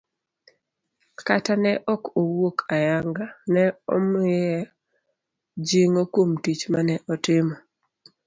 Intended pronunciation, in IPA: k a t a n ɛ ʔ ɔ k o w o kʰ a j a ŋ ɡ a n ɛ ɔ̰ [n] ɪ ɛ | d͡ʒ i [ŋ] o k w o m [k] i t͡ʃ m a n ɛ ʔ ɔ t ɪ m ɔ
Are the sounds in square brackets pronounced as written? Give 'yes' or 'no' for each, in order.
no, yes, no

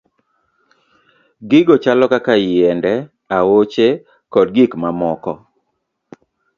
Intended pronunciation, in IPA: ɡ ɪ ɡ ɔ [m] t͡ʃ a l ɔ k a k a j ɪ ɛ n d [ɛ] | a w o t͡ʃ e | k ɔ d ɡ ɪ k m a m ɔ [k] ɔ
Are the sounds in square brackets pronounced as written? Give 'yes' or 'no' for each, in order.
no, yes, yes

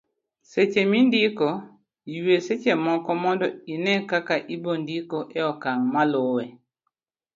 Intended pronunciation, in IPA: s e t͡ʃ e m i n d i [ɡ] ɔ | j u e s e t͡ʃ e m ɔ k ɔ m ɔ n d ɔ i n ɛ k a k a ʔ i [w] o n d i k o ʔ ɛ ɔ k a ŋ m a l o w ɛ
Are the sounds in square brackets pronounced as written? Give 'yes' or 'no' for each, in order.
no, no

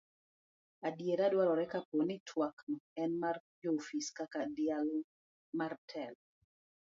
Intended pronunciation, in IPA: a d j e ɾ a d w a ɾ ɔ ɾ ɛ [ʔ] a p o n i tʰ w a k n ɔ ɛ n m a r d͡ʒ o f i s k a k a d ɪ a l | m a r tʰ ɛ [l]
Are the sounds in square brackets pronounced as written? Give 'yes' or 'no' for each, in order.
no, yes

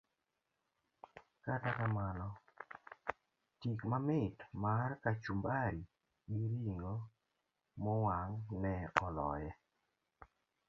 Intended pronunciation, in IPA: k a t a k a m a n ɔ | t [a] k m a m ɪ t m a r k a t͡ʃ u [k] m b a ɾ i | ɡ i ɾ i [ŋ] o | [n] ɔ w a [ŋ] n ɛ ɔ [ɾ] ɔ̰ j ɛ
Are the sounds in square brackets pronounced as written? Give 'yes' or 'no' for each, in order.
no, no, yes, no, yes, no

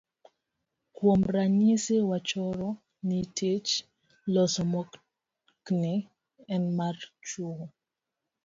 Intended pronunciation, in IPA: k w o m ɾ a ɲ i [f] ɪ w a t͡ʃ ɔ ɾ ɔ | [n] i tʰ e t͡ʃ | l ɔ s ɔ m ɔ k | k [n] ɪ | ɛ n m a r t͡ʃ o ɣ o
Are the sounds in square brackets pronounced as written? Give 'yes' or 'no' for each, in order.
no, yes, yes

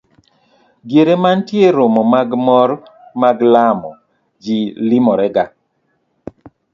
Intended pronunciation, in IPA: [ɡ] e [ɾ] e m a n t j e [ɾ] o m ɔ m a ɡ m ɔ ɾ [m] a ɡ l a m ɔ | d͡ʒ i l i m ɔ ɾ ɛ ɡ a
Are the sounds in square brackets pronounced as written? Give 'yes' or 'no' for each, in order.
yes, yes, yes, yes

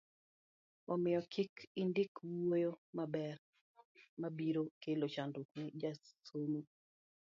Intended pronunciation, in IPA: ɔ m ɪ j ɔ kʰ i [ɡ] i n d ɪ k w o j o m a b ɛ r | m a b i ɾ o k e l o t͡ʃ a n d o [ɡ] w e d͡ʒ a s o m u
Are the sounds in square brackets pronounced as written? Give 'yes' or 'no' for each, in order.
no, no

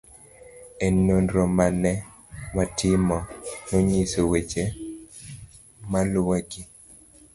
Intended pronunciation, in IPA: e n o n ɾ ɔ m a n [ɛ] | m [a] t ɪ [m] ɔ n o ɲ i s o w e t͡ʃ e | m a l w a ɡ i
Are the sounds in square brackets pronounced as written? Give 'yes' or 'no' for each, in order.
yes, yes, yes

